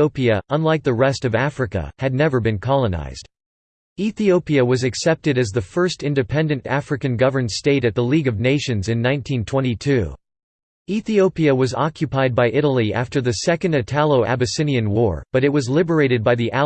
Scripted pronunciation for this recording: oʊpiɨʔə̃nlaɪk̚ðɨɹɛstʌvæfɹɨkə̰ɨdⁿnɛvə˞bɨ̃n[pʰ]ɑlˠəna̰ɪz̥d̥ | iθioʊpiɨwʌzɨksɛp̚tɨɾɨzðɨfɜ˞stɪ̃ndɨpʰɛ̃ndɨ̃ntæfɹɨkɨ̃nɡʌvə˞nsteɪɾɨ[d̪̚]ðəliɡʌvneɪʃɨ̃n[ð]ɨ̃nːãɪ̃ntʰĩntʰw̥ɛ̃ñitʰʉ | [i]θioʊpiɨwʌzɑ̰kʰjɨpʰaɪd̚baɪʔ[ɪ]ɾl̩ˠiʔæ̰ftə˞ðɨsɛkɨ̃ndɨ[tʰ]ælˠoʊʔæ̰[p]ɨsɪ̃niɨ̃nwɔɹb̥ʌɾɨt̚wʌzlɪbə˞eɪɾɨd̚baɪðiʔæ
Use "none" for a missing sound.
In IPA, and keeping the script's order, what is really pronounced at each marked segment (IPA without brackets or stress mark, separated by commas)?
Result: kʰ, t̪̚, z, i, ɪ, tʰ, b